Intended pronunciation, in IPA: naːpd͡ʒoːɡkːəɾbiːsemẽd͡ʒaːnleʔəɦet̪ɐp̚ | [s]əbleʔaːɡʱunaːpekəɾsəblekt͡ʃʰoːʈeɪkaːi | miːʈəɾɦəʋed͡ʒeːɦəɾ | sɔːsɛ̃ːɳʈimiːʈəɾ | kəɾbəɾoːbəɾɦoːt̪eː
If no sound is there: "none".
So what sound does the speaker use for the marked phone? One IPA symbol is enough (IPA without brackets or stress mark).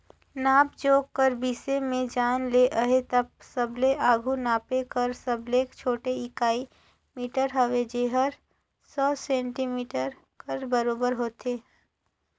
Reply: s